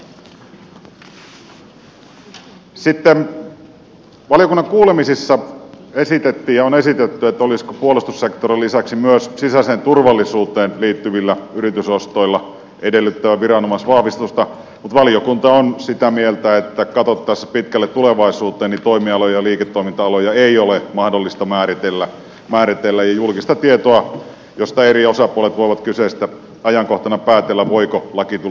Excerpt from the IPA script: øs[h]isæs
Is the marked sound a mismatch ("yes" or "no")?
yes